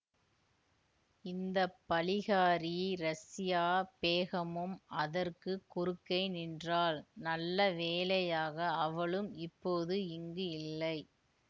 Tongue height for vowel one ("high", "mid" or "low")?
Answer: high